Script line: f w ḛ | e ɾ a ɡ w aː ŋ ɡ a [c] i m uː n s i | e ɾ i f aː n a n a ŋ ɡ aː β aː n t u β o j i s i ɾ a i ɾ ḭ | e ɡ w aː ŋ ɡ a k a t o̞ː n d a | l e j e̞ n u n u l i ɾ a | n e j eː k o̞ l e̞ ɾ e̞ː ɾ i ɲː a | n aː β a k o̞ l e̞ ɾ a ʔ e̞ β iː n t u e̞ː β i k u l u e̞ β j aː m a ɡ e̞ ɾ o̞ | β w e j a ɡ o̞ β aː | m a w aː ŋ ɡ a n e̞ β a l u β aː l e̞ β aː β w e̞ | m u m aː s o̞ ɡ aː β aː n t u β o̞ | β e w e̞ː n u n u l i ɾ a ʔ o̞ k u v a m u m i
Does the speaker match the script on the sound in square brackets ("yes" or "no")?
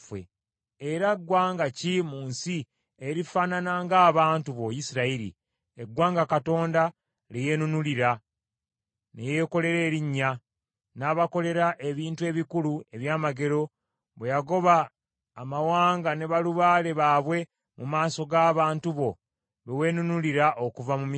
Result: yes